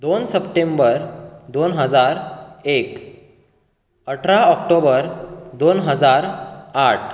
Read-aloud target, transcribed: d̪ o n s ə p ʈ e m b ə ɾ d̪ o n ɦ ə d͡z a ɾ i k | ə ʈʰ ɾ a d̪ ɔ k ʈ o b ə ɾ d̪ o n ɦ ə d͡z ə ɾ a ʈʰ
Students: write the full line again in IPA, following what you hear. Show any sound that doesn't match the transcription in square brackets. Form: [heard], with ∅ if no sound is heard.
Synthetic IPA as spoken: d̪ o n s ə p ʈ e m b ə ɾ d̪ o n ɦ ə d͡z a ɾ [e] k | ə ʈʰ ɾ a [∅] ɔ k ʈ o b ə ɾ d̪ o n ɦ ə d͡z [a] ɾ a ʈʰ